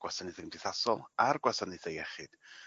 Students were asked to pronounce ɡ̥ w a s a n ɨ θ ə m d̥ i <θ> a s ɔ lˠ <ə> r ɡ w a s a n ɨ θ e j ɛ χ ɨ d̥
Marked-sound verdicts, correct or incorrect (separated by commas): correct, incorrect